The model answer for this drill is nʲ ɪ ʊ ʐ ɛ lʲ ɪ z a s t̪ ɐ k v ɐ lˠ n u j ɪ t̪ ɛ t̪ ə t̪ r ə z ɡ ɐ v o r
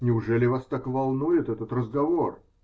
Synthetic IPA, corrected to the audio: nʲ ɪ ʊ ʐ ɛ lʲ ɪ v a s t̪ a k v ɐ lˠ n u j ɪ t̪ ɛ t̪ ə t̪ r ə z ɡ ɐ v o r